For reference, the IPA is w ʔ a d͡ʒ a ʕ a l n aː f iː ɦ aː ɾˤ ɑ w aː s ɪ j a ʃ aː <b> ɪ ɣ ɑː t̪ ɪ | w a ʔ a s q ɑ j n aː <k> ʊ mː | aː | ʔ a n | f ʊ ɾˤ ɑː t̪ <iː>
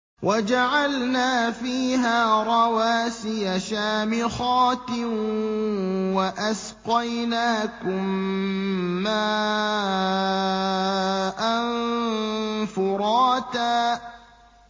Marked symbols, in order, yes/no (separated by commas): no, yes, no